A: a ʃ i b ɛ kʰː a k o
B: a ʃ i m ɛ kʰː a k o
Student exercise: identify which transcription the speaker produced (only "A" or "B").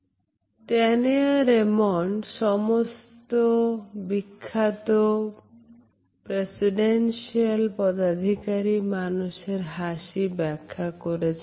A